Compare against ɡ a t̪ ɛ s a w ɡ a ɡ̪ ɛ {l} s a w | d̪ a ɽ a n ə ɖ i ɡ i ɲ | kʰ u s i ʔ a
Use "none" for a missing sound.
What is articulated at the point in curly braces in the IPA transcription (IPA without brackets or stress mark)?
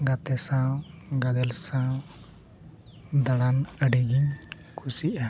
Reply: l